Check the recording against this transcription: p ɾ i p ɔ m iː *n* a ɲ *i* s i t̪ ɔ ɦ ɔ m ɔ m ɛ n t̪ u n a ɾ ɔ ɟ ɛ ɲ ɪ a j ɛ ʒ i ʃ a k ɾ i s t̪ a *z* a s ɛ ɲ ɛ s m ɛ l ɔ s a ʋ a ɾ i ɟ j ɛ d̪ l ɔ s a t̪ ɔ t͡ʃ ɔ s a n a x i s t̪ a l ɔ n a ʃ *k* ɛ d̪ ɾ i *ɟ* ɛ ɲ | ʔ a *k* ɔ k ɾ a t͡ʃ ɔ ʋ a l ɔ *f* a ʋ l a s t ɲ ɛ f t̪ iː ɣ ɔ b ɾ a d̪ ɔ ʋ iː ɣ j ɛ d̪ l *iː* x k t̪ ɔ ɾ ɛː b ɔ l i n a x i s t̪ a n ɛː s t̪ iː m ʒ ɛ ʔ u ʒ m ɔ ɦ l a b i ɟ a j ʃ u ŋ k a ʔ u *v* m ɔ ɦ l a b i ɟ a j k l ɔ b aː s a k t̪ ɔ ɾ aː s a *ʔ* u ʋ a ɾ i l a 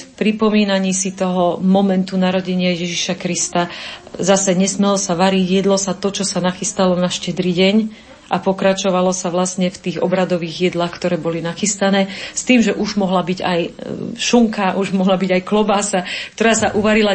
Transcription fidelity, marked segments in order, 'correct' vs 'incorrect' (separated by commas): correct, incorrect, correct, incorrect, correct, incorrect, incorrect, incorrect, incorrect, correct